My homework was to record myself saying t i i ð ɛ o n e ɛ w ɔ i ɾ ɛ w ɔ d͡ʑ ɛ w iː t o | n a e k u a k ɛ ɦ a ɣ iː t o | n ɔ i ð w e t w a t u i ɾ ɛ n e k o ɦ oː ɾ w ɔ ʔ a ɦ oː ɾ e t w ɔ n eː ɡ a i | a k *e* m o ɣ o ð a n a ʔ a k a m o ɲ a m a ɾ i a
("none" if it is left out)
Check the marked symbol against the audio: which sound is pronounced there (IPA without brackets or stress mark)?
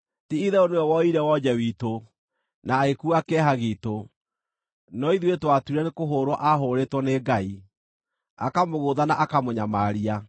a